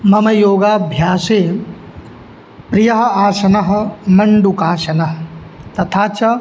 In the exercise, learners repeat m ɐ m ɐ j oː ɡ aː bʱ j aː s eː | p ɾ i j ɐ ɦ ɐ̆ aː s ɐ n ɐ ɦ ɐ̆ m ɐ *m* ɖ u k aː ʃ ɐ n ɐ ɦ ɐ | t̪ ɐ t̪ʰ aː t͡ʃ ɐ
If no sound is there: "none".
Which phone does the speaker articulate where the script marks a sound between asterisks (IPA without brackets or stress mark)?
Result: ɳ